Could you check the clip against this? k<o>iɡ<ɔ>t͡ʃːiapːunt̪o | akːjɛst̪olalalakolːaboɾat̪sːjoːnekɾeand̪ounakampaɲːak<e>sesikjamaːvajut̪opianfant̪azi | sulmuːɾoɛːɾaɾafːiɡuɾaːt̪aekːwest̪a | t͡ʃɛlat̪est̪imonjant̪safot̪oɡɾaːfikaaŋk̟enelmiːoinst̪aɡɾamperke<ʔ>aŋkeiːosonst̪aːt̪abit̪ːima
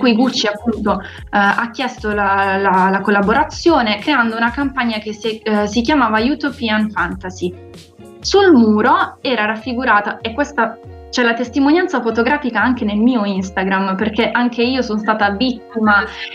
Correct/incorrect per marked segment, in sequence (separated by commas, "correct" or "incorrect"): incorrect, incorrect, correct, correct